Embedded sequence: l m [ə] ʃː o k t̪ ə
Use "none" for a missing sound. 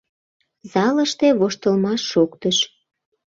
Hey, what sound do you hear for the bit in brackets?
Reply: ɑ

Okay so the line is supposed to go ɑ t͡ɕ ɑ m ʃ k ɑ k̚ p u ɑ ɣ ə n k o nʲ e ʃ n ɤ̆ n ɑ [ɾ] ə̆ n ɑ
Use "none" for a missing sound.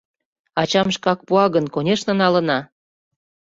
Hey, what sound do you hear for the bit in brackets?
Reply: l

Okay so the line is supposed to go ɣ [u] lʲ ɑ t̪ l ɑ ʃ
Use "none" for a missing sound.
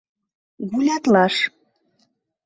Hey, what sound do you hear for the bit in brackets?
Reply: u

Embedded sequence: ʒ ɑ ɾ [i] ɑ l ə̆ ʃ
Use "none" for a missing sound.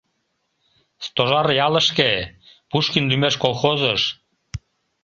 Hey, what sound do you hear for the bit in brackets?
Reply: j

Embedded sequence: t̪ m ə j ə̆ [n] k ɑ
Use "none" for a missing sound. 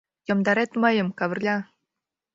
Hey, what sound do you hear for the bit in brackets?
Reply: m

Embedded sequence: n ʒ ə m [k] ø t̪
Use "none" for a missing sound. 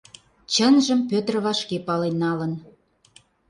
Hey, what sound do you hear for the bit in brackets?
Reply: p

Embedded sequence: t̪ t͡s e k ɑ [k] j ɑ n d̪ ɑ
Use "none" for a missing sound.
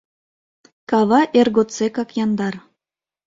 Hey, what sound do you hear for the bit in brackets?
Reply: k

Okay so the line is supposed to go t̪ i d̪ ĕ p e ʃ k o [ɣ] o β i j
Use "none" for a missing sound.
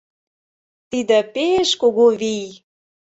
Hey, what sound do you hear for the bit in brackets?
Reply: ɣ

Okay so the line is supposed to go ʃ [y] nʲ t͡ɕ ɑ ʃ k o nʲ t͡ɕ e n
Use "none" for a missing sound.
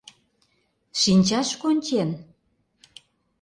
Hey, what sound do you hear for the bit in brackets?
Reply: i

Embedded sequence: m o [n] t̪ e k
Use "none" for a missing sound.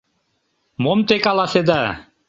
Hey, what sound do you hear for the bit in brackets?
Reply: m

